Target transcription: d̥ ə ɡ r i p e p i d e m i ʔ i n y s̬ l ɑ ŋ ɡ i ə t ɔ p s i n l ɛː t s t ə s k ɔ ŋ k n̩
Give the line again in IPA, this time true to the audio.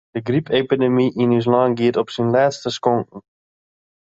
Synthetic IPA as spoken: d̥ ə ɡ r i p e p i d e m i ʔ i n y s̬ l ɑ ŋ ɡ i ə t ɔ p s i n l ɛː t s t ə s k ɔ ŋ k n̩